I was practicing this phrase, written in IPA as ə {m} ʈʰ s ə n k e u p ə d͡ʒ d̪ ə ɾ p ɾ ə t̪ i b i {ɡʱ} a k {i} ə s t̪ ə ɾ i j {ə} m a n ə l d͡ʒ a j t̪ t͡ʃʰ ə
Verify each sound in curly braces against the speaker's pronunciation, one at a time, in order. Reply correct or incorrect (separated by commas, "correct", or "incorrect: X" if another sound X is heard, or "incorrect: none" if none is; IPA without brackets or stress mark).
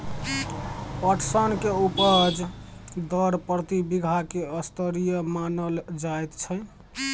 incorrect: none, correct, incorrect: e, correct